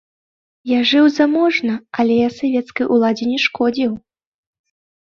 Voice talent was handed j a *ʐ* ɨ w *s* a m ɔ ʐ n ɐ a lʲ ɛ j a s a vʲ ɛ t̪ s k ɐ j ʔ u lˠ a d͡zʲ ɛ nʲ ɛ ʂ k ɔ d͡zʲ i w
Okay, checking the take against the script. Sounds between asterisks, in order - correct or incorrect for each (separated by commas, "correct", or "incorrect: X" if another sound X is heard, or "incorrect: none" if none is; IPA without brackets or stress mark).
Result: correct, incorrect: z